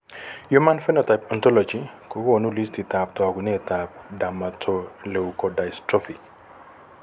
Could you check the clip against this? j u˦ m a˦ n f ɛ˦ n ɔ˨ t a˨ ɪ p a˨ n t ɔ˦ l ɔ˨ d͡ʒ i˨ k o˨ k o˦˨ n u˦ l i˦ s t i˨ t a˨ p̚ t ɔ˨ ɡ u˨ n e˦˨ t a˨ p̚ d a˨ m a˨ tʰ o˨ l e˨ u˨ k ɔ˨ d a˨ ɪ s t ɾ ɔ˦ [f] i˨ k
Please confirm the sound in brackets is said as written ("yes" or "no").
yes